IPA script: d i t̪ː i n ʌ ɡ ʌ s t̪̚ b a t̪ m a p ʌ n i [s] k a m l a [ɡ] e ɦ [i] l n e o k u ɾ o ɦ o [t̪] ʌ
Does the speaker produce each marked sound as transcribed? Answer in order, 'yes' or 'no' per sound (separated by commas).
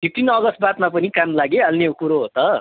no, yes, no, yes